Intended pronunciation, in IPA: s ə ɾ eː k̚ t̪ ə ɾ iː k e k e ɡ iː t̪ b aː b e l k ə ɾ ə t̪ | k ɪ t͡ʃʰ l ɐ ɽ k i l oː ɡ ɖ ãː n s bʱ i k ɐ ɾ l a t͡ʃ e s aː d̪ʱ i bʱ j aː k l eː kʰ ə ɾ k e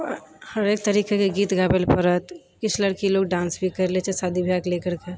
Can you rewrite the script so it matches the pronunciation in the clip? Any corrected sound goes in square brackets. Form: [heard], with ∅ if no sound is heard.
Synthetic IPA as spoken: [h] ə ɾ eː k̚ t̪ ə ɾ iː k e k e ɡ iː t̪ [ɡ] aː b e l [p] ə ɾ ə t̪ | k ɪ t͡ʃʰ l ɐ ɽ k i l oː ɡ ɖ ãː n s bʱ i k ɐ ɾ l [e] t͡ʃ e s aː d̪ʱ i bʱ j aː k l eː [k] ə ɾ k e